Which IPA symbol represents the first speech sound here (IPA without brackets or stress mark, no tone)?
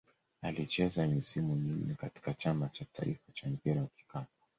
a